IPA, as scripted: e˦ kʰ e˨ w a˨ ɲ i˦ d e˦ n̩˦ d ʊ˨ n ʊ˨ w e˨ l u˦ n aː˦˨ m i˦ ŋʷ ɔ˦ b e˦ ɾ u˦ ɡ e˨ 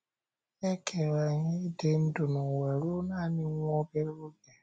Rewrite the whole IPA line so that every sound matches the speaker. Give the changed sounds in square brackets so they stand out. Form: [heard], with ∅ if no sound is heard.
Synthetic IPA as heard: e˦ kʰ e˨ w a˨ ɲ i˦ d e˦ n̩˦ d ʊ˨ n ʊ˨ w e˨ [ɾ] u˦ n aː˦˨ [n] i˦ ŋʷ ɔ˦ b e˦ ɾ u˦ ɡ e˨